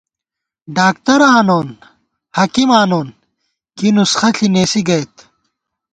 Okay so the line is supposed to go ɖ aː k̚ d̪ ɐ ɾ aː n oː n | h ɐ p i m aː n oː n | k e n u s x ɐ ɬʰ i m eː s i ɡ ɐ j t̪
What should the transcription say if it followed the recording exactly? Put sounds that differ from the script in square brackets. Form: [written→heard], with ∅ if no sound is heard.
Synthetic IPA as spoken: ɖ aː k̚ [d̪→t̪] ɐ ɾ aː n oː n | h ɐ [p→k] i m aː n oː n | k [e→i] n u s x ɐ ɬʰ i [m→n] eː s i ɡ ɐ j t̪